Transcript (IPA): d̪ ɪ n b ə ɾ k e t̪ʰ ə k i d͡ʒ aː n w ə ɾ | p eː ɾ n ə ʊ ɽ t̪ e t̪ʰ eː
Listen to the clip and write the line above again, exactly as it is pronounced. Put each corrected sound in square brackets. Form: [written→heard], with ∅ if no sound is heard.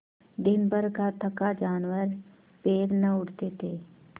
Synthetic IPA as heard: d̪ ɪ n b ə ɾ k [e→a] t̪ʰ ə k [i→a] d͡ʒ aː n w ə ɾ | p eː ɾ n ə ʊ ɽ t̪ e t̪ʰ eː